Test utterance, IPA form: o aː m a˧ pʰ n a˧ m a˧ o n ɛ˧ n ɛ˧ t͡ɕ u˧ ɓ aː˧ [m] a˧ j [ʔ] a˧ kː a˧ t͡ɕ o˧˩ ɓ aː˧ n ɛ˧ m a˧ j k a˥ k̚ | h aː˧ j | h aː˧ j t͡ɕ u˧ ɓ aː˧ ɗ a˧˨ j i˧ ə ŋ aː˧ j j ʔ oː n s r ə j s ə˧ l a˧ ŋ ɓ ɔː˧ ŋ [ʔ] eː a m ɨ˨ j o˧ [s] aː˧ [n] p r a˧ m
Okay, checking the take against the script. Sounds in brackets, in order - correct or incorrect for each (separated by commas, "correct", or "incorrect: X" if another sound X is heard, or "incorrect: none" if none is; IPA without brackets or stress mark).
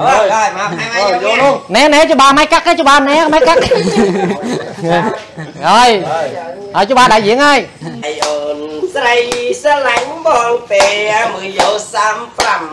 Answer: correct, incorrect: k, incorrect: p, correct, incorrect: m